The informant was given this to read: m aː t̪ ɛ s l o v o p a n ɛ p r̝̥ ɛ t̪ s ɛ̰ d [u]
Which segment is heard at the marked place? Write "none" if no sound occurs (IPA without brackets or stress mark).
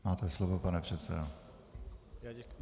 o